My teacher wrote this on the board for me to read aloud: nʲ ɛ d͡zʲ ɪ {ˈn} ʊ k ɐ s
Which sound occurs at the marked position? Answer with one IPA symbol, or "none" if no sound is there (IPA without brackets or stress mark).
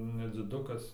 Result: d